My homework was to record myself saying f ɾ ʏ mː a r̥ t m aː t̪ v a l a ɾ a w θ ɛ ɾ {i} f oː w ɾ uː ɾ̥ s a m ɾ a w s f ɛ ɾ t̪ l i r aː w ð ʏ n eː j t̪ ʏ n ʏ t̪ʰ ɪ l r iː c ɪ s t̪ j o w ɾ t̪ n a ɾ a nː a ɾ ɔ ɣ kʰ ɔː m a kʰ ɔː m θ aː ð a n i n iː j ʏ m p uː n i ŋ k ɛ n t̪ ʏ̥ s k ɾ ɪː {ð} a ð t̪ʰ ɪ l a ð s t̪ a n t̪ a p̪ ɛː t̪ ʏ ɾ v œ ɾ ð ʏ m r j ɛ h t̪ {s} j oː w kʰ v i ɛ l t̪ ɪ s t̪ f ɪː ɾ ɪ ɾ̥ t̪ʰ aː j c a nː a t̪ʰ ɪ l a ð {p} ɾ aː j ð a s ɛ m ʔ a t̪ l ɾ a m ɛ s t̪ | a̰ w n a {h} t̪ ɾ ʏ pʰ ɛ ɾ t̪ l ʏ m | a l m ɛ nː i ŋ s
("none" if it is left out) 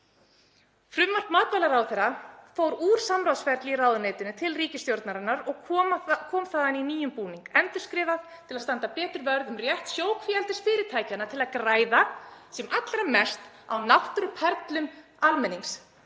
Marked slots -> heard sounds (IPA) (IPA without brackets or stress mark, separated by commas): a, v, s, k, h